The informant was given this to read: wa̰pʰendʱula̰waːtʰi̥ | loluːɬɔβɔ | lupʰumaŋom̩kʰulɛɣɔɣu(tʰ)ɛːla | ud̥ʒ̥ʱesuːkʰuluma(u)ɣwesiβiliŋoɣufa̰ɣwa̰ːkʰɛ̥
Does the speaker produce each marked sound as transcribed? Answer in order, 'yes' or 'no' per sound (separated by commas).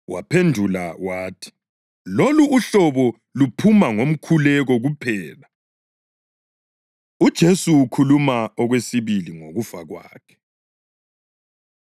no, no